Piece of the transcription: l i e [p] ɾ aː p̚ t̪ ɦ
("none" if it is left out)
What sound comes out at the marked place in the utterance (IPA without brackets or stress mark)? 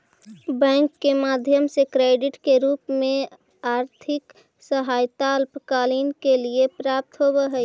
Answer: p